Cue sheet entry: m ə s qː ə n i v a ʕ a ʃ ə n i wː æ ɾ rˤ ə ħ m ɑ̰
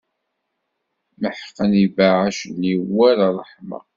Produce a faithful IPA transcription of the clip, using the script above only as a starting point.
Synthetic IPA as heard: m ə ħ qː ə n i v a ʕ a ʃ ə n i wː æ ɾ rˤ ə ħ m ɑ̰